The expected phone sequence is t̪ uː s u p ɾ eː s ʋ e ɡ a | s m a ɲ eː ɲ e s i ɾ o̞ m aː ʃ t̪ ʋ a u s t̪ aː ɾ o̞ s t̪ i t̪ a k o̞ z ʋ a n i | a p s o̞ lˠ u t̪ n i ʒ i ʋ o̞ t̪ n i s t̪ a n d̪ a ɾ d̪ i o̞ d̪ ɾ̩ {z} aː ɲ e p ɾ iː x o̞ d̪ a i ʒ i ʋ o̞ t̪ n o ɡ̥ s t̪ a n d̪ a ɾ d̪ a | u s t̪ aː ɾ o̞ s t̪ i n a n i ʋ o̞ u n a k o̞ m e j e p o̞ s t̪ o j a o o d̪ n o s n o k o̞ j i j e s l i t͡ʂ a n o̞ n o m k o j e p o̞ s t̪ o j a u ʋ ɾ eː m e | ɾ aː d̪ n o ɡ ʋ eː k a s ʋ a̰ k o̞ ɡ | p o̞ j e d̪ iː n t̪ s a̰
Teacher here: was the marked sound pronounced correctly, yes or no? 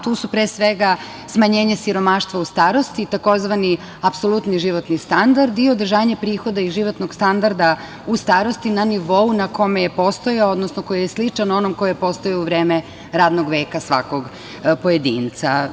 no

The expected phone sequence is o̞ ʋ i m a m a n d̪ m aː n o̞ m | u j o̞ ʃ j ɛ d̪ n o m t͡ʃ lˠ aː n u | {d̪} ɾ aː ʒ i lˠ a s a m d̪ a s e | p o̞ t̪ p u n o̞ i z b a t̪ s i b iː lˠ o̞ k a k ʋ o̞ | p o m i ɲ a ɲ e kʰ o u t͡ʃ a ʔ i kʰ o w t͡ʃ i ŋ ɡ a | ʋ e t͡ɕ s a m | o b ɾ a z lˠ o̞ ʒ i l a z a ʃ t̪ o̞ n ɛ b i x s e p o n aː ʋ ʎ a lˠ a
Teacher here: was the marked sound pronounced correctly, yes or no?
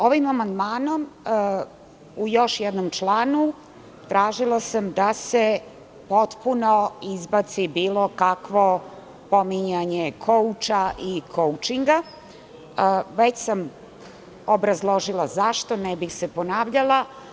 no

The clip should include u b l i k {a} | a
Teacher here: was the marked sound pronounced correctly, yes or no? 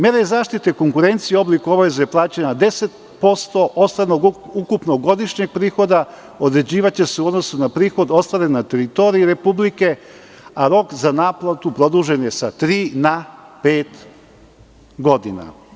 no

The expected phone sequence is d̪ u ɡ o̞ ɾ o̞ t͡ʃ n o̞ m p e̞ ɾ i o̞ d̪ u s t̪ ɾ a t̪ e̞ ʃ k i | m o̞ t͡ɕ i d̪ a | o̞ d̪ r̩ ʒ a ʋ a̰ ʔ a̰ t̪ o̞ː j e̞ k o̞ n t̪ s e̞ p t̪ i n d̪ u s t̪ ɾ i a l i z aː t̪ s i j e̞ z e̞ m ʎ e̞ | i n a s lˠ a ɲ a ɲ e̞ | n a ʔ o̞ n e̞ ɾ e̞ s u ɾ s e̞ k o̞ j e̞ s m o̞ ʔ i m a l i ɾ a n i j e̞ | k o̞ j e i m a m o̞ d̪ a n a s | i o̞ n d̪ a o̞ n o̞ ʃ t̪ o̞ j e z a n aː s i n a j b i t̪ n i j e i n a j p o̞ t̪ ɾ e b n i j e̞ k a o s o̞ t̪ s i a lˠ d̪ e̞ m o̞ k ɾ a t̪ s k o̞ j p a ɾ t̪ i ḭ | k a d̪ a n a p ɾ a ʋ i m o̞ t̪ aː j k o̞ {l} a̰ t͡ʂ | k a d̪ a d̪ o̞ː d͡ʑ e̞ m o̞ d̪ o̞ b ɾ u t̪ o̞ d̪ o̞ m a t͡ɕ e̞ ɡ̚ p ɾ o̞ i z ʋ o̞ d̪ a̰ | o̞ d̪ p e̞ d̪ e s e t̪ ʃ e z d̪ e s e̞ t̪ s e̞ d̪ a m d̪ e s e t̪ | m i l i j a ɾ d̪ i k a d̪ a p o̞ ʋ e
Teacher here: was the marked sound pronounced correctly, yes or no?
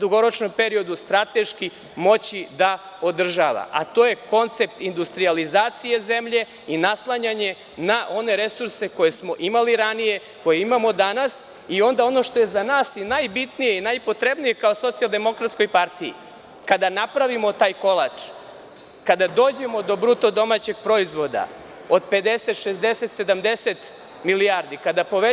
yes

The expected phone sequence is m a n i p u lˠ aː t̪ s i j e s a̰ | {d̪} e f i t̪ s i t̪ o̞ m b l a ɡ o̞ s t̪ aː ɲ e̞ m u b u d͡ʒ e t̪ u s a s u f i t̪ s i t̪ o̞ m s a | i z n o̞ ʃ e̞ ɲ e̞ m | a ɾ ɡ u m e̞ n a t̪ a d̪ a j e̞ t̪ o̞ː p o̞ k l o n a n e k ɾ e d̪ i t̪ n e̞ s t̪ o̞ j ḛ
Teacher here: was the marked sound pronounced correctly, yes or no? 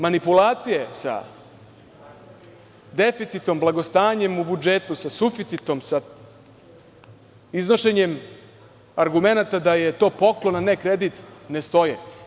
yes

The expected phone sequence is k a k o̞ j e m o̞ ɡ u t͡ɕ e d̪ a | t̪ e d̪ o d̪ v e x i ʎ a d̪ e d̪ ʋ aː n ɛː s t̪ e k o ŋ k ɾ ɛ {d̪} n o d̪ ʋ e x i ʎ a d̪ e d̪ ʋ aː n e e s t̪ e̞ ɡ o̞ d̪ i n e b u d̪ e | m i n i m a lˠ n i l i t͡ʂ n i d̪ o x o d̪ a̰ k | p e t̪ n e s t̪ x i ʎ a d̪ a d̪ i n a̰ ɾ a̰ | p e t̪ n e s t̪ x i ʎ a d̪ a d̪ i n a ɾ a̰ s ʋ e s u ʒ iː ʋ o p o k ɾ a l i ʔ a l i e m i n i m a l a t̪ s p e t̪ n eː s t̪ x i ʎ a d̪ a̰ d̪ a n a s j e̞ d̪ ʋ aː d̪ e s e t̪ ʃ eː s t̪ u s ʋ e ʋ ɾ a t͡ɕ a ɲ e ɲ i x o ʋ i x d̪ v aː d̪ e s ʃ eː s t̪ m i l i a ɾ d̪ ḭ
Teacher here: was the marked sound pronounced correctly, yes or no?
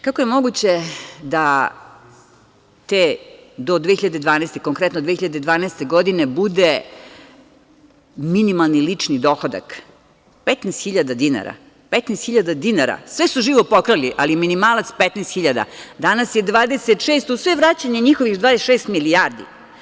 no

